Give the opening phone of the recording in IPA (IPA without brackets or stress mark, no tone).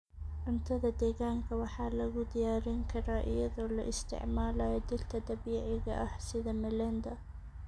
ʔ